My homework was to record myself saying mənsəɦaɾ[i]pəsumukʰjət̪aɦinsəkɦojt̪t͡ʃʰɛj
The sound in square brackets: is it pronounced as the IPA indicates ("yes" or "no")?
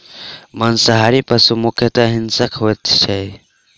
yes